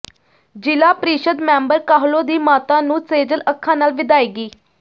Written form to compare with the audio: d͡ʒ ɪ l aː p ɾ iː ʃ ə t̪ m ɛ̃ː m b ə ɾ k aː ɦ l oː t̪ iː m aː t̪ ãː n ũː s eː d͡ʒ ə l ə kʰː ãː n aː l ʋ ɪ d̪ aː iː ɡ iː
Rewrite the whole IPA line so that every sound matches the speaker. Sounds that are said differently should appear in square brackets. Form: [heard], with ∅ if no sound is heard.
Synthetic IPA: d͡ʒ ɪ l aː p ɾ iː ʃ ə [d̪] m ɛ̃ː m b ə ɾ k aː ɦ l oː [d̪] iː m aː t̪ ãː n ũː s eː d͡ʒ ə l ə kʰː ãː n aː l ʋ ɪ d̪ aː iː ɡ iː